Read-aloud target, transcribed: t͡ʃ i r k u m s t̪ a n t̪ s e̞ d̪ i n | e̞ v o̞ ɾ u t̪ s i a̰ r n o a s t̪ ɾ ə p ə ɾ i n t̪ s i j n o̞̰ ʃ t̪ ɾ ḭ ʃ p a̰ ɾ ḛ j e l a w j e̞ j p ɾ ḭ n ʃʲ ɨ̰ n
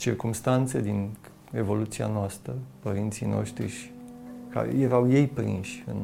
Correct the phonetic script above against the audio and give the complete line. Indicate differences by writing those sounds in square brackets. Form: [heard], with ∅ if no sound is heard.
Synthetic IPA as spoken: t͡ʃ i r k u m s t̪ a n t̪ s e̞ d̪ i n | e̞ v o̞ [l] u t̪ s i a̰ [∅] n o a s t̪ ɾ ə p ə ɾ i n t̪ s i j n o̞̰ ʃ t̪ ɾ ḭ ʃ [k] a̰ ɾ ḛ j e [ɾ] a w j e̞ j p ɾ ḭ n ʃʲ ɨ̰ n